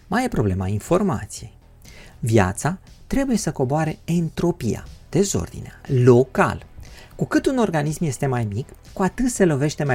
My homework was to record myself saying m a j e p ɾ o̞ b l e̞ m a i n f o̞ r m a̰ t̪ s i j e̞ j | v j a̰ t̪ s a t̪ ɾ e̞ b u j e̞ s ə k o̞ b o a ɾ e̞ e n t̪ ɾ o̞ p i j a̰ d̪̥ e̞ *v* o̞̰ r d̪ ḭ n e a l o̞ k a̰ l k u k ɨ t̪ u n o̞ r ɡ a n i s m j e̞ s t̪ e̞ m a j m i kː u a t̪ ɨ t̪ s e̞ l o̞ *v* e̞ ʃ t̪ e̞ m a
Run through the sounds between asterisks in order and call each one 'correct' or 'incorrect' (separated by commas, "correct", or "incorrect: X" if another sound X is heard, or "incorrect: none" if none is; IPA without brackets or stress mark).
incorrect: z, correct